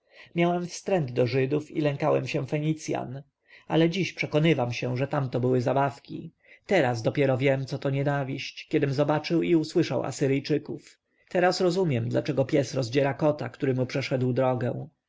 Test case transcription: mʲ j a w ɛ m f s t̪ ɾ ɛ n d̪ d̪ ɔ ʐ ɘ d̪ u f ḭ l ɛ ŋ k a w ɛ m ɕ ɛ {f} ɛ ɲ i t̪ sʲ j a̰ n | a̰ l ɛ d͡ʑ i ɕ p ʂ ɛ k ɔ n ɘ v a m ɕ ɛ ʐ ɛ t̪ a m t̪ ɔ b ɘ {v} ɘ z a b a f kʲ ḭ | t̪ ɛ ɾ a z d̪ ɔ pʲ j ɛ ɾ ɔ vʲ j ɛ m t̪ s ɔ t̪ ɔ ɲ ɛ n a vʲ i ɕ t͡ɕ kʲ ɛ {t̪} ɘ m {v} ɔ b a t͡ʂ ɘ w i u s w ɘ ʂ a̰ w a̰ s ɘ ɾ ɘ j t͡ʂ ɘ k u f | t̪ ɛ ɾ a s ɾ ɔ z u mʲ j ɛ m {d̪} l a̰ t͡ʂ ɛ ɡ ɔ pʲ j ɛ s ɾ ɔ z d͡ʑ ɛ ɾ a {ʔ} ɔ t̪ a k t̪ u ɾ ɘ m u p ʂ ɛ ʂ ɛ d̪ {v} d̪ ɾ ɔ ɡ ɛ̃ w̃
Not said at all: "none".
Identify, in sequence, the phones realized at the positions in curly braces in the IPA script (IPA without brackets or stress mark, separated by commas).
f, w, d̪, z, d̪, k, w